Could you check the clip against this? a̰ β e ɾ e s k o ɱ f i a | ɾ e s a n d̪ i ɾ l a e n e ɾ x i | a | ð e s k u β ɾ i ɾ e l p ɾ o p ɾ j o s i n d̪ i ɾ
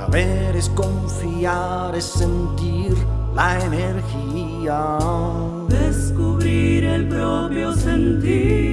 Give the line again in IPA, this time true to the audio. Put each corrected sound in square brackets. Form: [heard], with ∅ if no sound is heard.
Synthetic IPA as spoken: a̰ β e ɾ e s k o ɱ f i a | ɾ e s [e] n [t̪] i ɾ l a e n e ɾ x i | a | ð e s k u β ɾ i ɾ e l p ɾ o p ɾ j o s [e] n [t̪] i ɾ

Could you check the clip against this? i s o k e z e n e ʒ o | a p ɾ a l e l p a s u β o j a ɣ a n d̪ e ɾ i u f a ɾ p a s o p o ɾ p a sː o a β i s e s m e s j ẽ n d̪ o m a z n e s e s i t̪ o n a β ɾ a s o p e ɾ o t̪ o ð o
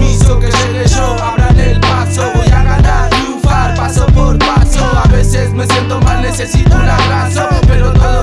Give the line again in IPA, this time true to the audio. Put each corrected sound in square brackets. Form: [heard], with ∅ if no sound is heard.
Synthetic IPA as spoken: i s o k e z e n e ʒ o | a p ɾ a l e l p a s [o] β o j a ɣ a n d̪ [a] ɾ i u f a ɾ p a s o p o ɾ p a [s] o a β [e] s e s m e s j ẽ n [t̪] o m a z n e s e s i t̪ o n a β ɾ a s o p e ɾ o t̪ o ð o

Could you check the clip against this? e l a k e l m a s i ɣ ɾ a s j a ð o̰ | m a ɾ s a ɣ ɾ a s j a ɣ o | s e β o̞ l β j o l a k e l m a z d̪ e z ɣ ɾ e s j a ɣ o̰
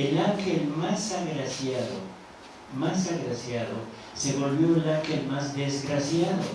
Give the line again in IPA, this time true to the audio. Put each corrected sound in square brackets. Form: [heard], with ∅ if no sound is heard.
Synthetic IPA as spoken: e l a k e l m a s [a] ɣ ɾ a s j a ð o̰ | m a [∅] s a ɣ ɾ a s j a [ð] o | s e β o̞ l β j o l a k e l m a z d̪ e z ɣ ɾ [a] s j a [ð] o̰

